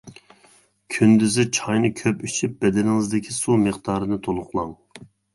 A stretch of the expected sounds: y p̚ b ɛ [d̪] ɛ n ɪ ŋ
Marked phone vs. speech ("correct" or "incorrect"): correct